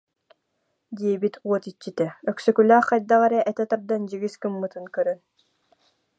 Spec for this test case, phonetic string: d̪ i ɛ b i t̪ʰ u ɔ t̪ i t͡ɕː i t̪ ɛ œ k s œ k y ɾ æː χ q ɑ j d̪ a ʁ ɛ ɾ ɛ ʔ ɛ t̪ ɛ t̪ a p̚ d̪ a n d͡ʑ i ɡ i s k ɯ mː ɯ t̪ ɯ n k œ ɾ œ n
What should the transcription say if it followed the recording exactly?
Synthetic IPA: d̪ i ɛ b i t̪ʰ u ɔ t̪ i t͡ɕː i t̪ ɛ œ k s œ k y l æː χ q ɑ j d̪ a ʁ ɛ ɾ ɛ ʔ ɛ t̪ ɛ t̪ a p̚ d̪ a n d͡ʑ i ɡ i s k ɯ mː ɯ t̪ ɯ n k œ ɾ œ n